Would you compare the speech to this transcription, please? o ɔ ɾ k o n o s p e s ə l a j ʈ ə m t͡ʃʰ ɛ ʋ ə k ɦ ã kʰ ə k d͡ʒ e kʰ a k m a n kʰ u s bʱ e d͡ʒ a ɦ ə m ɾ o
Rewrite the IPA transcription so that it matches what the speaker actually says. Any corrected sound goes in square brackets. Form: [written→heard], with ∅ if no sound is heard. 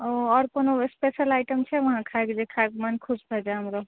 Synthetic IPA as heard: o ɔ ɾ k o n o s p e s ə l a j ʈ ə m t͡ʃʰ ɛ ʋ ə [k→∅] ɦ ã kʰ [ə→a] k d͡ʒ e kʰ a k m a n kʰ u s bʱ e d͡ʒ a ɦ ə m ɾ o